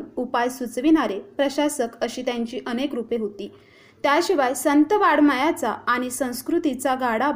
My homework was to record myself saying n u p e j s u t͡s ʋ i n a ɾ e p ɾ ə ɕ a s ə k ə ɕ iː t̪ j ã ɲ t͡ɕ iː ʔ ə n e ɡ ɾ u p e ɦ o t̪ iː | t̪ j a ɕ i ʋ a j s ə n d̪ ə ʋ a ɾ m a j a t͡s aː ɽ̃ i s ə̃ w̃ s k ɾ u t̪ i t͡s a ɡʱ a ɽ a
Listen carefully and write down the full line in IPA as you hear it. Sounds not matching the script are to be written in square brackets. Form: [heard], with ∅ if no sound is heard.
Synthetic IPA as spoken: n u p [a] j s u t͡s ʋ i n a ɾ e p ɾ ə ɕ a s ə k ə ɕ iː t̪ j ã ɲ t͡ɕ iː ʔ ə n e [k] ɾ u p e ɦ o t̪ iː | t̪ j a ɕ i ʋ a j s ə n [t̪] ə ʋ a [ɽ] m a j a t͡s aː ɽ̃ i s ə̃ w̃ s k ɾ u t̪ i t͡s a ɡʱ a ɽ a